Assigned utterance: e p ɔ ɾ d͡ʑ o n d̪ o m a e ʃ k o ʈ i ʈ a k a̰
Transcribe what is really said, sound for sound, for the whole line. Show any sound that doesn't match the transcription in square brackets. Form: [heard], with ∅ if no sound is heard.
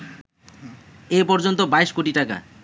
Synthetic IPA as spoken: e p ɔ ɾ d͡ʑ o n [t̪] o [b] a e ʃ k o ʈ i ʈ a k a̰